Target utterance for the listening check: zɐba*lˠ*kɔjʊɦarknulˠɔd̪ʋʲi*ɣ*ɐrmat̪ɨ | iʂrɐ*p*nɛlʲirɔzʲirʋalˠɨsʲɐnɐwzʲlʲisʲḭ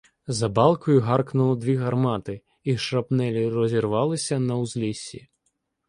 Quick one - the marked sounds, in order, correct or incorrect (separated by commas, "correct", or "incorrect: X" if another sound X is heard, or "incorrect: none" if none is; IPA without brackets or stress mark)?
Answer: correct, correct, correct